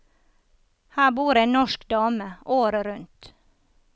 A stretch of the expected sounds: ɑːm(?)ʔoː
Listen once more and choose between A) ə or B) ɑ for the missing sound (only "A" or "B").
A